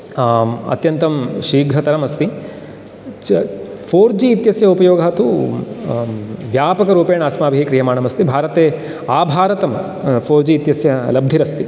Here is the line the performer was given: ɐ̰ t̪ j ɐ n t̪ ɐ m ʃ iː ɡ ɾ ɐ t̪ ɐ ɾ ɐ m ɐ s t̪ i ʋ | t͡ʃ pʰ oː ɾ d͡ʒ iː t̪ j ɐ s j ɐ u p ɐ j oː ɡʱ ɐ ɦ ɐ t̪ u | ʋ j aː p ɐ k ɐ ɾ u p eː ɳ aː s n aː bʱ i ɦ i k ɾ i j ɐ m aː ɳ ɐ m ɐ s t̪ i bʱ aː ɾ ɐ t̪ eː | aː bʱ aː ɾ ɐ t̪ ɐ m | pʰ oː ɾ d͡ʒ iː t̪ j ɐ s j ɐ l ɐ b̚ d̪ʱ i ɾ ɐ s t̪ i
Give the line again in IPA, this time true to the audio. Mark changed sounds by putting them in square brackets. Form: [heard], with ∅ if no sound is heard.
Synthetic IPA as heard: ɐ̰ t̪ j ɐ n t̪ ɐ m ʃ iː ɡ ɾ ɐ t̪ ɐ ɾ ɐ m ɐ s t̪ i [∅] | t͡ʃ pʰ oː ɾ d͡ʒ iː t̪ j ɐ s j ɐ u p ɐ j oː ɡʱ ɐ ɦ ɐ t̪ u | ʋ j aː p ɐ k ɐ ɾ [uː] p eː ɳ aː s [m] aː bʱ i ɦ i k ɾ i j ɐ m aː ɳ ɐ m ɐ s t̪ i bʱ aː ɾ ɐ t̪ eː | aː bʱ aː ɾ ɐ t̪ ɐ m | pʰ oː ɾ d͡ʒ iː t̪ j ɐ s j ɐ l ɐ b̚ d̪ʱ i ɾ ɐ s t̪ i